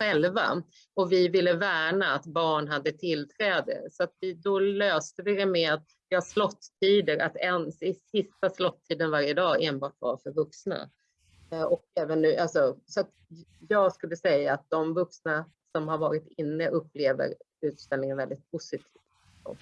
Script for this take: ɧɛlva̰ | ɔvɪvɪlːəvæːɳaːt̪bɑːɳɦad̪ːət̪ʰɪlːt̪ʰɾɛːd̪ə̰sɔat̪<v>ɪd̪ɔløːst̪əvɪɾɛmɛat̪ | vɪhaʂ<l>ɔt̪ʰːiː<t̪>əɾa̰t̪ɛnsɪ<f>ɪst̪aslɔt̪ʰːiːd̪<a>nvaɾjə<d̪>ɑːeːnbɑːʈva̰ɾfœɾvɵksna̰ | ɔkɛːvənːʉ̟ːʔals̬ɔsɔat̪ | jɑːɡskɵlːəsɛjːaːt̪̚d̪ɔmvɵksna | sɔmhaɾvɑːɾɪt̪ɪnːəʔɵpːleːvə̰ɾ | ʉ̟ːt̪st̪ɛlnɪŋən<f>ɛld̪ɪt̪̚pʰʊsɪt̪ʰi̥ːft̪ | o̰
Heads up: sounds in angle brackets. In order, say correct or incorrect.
correct, correct, incorrect: d̪, incorrect: s, incorrect: ə, correct, incorrect: v

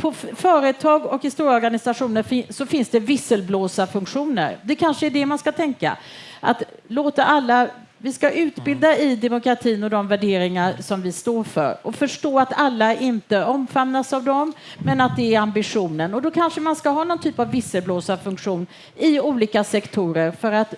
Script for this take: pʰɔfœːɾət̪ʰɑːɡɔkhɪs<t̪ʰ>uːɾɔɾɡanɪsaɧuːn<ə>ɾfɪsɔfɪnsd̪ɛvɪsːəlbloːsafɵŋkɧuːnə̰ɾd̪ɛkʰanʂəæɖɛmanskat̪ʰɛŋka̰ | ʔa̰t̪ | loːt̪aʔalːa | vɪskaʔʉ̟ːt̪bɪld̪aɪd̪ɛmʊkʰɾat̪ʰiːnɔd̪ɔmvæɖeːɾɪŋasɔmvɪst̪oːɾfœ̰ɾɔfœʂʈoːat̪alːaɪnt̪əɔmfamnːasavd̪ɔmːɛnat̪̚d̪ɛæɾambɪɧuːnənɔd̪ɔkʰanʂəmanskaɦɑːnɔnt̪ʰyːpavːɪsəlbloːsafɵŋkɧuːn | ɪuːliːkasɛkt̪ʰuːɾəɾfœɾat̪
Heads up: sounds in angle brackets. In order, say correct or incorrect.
incorrect: t̪, correct

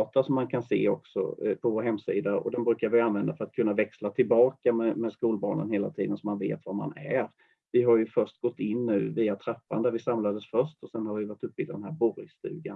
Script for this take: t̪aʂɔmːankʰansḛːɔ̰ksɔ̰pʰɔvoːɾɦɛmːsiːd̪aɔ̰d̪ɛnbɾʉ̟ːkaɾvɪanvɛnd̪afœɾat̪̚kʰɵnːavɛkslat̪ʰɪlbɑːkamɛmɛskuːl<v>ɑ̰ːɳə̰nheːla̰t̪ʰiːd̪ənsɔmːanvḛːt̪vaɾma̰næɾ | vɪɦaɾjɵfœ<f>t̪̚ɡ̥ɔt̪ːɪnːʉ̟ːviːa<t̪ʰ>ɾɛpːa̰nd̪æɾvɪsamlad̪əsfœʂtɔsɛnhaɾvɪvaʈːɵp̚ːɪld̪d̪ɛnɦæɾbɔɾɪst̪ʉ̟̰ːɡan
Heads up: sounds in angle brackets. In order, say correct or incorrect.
incorrect: b, incorrect: ʂ, correct

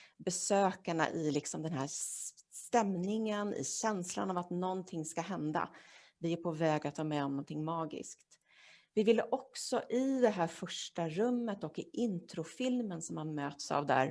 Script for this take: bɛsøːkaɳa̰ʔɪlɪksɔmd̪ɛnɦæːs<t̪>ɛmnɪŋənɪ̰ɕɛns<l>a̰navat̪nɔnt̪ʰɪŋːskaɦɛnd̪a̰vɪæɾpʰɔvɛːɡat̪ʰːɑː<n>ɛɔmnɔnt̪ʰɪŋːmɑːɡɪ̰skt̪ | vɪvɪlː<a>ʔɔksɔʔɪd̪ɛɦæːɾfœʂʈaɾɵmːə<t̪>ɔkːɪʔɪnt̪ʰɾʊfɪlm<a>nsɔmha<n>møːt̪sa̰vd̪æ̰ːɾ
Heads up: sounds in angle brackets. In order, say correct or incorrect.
correct, correct, incorrect: m, incorrect: ə, correct, incorrect: ə, correct

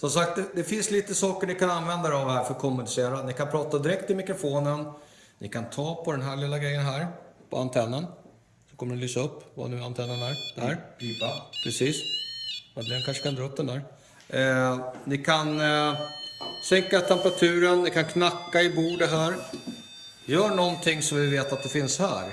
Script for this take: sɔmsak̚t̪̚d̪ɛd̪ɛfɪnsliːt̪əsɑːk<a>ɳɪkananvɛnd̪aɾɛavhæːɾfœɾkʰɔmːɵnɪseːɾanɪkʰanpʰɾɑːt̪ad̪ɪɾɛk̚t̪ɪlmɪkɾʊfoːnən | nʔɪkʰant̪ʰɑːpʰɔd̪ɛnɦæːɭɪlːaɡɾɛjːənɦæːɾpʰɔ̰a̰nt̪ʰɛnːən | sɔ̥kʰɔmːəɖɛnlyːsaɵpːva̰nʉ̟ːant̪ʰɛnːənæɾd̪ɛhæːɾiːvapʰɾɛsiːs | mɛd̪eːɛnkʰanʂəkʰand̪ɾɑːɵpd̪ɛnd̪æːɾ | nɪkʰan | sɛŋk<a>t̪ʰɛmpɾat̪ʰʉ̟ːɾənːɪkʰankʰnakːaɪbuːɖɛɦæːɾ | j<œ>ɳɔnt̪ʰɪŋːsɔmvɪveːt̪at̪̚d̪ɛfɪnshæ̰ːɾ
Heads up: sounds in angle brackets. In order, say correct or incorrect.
incorrect: ə, correct, incorrect: œː

